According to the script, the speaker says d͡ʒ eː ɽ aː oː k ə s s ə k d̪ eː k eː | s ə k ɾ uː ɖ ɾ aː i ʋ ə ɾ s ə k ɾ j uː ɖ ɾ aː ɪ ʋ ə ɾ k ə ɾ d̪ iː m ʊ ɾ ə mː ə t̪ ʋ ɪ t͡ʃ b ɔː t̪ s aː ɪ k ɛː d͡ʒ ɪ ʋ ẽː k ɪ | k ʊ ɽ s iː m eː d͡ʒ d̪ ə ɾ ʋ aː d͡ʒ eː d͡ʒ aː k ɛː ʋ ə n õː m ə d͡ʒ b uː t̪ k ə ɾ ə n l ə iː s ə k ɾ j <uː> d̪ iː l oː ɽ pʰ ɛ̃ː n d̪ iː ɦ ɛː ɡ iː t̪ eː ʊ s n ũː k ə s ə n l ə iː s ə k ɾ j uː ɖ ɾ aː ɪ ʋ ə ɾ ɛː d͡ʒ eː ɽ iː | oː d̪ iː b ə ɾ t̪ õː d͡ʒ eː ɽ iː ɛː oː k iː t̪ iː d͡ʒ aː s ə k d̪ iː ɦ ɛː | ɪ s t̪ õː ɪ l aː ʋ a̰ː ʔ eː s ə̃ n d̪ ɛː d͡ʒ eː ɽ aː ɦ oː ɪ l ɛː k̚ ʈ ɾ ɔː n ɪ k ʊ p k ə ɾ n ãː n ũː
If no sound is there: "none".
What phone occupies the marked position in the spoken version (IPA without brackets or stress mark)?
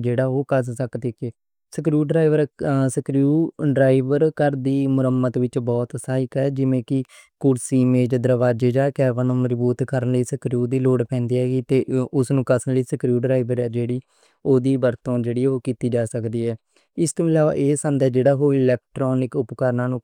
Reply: uː